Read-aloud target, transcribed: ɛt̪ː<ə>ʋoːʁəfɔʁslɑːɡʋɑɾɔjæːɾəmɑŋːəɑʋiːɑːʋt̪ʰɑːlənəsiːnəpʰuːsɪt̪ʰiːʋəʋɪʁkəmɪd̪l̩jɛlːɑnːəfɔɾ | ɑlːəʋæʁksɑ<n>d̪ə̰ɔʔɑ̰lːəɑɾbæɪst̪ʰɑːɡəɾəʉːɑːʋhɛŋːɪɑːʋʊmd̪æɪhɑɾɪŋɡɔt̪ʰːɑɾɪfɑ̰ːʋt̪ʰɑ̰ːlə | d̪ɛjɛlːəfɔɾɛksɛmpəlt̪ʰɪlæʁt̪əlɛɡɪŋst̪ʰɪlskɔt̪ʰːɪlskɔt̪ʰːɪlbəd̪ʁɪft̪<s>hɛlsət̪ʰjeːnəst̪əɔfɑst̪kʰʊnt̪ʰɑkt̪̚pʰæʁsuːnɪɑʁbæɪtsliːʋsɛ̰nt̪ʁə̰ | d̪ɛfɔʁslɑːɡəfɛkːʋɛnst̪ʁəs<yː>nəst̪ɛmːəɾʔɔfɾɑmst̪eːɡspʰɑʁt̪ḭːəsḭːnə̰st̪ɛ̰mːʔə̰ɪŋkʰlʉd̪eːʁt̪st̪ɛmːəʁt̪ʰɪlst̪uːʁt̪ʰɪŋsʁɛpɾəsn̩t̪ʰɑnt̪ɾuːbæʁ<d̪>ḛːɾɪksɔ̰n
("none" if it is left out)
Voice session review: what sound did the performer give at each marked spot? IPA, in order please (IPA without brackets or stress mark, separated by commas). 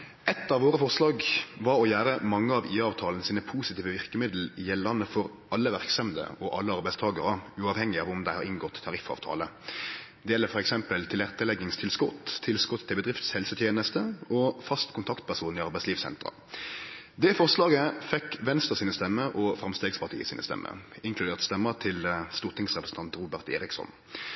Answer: ɑ, m, s, iː, t̪